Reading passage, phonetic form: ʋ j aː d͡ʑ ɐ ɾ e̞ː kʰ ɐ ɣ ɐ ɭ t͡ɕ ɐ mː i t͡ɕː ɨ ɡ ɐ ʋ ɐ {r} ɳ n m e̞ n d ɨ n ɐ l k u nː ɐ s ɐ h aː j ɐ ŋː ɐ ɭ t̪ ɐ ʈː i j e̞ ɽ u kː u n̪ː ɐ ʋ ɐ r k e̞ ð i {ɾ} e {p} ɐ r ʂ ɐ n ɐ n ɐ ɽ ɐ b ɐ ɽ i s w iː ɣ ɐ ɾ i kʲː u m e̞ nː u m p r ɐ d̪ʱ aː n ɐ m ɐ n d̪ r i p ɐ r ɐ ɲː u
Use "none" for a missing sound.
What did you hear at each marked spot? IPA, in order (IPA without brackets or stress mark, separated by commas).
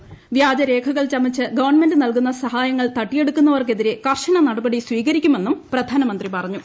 r, ɾ, k